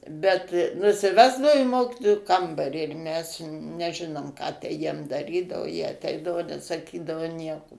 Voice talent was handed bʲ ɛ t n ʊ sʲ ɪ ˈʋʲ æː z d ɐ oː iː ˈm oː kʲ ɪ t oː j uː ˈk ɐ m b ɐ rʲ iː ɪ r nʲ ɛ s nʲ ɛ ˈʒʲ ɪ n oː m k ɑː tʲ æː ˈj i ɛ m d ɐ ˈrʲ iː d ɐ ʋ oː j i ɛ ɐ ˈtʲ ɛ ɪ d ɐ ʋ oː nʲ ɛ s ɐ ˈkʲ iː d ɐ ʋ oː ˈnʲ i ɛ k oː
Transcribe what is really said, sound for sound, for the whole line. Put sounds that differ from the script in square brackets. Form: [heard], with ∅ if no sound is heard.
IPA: bʲ ɛ t n ʊ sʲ ɪ ˈʋʲ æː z d ɐ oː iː ˈm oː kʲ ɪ t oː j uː ˈk ɐ m b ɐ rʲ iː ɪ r [mʲ] ɛ s nʲ ɛ ˈʒʲ ɪ n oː m k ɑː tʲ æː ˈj i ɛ m d ɐ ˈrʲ iː d ɐ ʋ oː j i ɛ ɐ ˈtʲ ɛ ɪ d ɐ ʋ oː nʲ ɛ s ɐ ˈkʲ iː d ɐ ʋ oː ˈnʲ i ɛ k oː